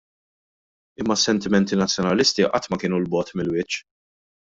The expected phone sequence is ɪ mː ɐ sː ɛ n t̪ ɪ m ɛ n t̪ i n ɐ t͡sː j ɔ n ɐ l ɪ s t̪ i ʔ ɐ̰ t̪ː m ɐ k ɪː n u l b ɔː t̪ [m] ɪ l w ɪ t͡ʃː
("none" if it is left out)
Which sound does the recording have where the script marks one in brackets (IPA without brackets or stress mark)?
m